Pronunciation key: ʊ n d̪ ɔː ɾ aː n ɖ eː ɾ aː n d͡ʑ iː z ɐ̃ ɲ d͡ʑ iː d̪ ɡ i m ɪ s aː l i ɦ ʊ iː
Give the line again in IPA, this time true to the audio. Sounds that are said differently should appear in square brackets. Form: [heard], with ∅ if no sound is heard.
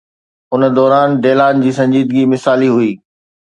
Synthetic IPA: ʊ n d̪ ɔː ɾ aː n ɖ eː [l] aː n d͡ʑ iː [s] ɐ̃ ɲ d͡ʑ iː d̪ ɡ i m ɪ s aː l i ɦ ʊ iː